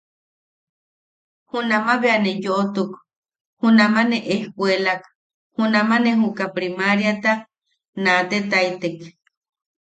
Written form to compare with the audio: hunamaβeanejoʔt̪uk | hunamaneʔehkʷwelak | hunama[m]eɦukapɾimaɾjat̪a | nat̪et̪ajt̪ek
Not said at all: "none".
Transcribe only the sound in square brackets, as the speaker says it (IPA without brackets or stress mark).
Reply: n